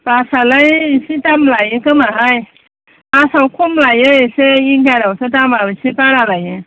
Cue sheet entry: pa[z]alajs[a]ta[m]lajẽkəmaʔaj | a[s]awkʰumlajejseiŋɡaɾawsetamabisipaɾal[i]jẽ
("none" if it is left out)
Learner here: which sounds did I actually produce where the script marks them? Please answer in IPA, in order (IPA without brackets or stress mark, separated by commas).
s, i, m, s, a